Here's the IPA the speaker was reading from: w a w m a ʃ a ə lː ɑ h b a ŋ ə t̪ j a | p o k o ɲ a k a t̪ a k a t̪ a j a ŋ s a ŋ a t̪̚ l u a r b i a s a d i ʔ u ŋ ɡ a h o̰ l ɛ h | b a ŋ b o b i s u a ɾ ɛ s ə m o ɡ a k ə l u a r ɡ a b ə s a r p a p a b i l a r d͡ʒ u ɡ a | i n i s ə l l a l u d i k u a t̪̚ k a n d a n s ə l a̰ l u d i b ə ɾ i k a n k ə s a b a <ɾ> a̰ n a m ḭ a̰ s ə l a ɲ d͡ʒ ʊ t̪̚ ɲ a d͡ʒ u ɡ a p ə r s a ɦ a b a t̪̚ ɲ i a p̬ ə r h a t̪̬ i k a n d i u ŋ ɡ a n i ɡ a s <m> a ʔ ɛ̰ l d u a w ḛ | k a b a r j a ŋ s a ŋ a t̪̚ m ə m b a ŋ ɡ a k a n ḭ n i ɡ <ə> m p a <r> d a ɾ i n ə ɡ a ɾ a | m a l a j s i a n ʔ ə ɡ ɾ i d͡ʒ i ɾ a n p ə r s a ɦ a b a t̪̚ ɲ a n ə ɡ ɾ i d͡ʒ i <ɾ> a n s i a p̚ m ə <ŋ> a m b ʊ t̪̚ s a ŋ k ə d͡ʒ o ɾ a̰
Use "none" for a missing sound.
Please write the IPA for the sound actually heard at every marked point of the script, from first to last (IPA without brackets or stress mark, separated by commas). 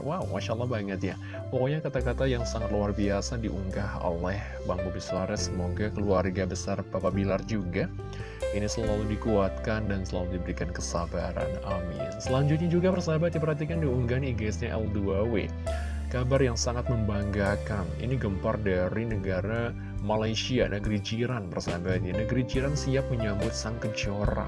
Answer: ɾ, ɲ, ə, r, ɾ, ɲ